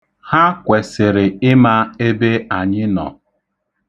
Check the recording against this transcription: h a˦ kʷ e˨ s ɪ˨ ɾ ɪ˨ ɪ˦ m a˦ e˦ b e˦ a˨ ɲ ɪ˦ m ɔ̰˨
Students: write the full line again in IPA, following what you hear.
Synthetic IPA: h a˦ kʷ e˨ s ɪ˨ ɾ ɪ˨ ɪ˦ m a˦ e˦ b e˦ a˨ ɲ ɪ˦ n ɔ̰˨